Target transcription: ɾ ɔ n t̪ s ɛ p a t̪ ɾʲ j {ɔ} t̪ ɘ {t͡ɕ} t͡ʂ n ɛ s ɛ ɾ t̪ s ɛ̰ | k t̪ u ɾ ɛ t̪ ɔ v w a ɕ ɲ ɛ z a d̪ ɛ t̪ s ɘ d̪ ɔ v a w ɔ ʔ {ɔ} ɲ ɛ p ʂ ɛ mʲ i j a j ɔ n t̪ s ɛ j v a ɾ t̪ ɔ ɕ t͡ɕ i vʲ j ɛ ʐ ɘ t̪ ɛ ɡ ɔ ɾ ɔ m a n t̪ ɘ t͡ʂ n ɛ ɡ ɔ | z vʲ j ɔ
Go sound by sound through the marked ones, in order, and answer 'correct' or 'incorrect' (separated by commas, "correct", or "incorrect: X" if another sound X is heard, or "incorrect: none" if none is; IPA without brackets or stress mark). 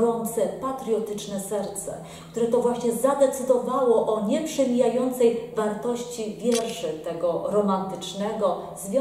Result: correct, incorrect: none, correct